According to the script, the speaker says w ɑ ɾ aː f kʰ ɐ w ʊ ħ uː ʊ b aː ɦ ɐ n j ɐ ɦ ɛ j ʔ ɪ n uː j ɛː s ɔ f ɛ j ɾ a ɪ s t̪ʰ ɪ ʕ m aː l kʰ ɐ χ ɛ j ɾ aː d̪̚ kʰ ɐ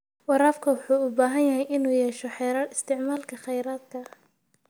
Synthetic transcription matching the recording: w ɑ ɾ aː f kʰ ɐ w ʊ ħ uː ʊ b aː ɦ ɐ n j ɐ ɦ ɛ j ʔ ɪ n uː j ɛː ʃ ɔ ħ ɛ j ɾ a ɪ s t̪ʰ ɪ ʕ m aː l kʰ ɐ χ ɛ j ɾ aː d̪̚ kʰ ɐ